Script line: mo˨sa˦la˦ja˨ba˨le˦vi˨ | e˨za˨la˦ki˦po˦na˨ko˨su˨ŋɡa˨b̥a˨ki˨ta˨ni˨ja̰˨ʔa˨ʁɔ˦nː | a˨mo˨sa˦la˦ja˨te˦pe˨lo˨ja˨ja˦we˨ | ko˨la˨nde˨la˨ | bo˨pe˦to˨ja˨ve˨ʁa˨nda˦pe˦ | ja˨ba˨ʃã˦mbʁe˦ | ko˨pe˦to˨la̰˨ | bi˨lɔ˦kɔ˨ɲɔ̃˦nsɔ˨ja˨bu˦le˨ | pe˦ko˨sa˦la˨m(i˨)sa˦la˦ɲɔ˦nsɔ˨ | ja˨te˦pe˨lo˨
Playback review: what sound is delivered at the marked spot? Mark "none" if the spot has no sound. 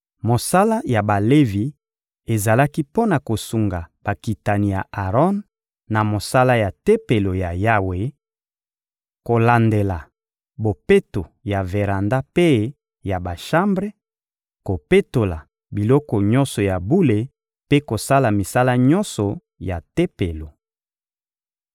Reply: i˨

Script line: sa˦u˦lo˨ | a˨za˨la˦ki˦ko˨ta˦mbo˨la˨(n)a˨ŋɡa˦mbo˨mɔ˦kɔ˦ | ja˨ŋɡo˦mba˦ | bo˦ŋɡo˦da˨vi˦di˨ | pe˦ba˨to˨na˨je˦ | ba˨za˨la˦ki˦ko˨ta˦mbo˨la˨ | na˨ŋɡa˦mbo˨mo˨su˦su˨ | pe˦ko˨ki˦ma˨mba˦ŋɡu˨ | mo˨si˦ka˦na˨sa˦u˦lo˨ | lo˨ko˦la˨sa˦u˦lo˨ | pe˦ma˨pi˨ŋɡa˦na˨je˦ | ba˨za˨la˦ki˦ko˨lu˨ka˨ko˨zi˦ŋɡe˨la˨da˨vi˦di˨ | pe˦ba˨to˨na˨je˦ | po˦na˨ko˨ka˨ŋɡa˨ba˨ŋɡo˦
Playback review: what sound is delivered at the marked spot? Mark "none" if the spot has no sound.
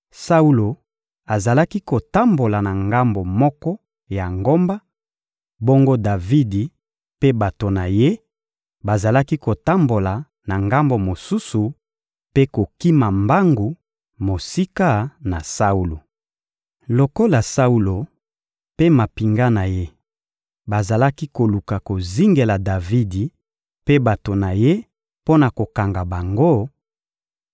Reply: n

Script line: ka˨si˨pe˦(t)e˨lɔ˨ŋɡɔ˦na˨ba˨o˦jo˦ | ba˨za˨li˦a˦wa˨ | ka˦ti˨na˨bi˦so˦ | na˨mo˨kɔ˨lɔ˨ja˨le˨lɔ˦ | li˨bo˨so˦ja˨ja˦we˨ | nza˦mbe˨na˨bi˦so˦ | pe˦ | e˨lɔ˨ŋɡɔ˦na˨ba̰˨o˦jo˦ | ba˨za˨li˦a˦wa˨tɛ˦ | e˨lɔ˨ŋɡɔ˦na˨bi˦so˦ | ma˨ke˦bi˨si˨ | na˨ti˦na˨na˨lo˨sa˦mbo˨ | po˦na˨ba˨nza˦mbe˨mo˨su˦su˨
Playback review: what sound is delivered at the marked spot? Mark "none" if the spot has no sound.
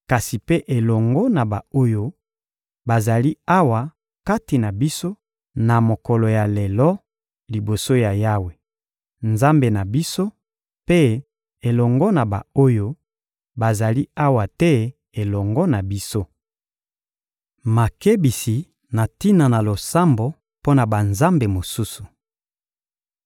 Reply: ʔ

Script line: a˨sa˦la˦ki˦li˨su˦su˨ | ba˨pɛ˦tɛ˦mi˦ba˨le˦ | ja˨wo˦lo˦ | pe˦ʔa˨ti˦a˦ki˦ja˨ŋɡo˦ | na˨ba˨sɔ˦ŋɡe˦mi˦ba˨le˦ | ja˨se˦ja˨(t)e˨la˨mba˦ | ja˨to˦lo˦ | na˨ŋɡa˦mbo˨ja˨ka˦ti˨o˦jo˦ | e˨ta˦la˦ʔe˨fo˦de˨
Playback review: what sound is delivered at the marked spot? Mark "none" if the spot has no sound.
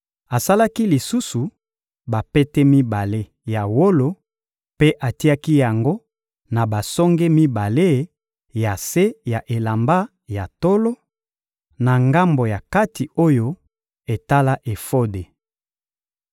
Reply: ʔ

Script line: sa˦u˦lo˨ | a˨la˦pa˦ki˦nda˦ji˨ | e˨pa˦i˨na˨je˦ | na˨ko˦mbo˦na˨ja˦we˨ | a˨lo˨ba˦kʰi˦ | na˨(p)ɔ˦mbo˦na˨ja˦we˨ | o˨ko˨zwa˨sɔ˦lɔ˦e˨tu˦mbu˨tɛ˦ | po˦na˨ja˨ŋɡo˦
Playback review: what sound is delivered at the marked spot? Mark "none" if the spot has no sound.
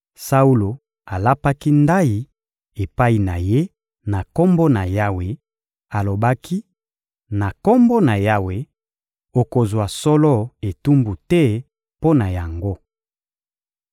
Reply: k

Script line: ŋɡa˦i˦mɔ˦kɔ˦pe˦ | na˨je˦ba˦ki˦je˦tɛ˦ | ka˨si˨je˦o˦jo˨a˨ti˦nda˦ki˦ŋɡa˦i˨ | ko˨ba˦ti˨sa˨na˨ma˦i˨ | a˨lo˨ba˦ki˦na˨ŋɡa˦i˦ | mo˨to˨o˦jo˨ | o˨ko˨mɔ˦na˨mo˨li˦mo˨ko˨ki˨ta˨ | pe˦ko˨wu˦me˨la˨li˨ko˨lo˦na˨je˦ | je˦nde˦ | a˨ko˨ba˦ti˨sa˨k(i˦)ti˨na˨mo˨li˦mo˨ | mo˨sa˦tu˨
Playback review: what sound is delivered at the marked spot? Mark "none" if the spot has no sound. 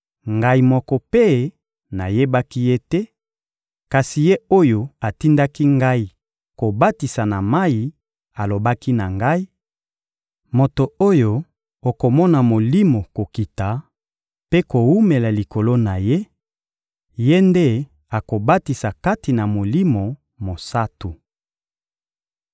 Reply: a˦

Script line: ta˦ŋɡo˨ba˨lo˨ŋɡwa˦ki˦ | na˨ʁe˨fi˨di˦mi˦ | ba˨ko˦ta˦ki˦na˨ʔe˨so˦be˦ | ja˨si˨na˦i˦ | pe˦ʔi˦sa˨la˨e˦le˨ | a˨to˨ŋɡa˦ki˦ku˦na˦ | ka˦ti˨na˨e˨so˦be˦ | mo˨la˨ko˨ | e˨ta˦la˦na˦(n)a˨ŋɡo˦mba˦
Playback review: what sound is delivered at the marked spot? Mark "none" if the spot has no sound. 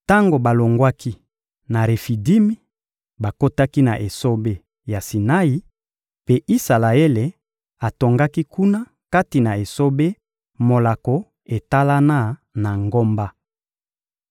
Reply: n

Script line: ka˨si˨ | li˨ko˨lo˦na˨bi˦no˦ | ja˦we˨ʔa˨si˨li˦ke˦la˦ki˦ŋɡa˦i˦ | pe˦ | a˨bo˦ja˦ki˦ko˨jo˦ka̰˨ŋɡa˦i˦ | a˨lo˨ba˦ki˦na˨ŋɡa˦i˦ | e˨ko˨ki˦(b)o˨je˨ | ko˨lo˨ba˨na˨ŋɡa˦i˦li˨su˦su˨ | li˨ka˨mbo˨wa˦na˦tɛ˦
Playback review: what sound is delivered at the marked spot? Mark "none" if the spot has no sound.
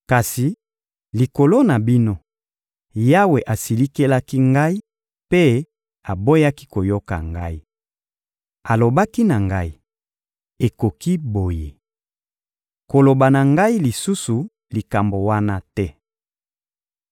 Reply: b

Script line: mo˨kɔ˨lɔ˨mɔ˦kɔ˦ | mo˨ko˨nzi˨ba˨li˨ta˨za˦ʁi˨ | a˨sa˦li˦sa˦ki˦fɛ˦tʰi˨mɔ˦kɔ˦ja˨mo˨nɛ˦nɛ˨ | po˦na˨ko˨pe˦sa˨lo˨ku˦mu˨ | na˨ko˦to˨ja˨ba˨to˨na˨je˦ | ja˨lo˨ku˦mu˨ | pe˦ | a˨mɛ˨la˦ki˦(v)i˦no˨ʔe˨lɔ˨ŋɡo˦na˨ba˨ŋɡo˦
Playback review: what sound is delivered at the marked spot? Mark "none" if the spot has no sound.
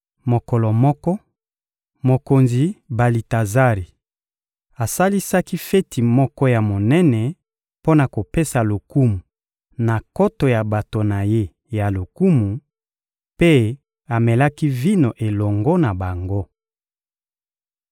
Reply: v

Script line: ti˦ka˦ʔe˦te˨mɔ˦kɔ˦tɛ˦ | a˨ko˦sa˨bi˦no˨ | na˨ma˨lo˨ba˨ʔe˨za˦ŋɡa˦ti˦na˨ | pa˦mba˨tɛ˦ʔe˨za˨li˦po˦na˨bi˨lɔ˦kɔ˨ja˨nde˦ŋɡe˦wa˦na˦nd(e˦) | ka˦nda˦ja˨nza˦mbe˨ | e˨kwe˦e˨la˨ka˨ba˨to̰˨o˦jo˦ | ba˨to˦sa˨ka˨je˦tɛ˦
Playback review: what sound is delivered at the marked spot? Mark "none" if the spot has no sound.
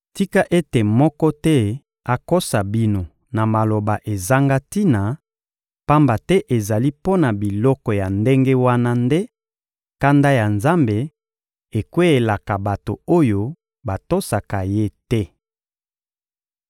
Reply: e˦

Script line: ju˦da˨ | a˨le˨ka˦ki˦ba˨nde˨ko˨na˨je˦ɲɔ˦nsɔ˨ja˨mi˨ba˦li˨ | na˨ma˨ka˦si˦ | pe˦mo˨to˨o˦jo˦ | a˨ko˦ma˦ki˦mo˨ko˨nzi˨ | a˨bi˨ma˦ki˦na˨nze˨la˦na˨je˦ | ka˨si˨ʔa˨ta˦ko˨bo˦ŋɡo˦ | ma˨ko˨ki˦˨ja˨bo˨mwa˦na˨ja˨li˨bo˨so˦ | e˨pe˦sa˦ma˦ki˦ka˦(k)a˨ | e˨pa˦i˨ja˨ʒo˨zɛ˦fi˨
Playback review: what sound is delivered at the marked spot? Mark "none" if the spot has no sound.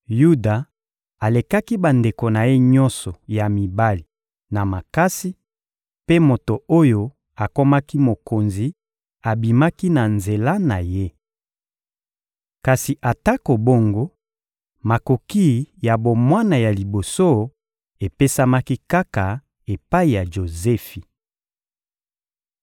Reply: k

